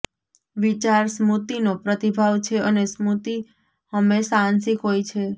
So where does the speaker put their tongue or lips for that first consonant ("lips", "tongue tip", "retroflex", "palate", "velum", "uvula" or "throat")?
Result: lips